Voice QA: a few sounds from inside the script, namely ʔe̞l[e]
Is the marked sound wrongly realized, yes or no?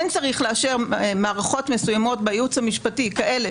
no